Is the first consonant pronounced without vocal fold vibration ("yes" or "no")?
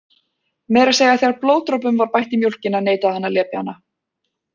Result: no